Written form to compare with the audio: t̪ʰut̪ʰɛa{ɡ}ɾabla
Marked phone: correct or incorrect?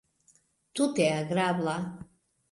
correct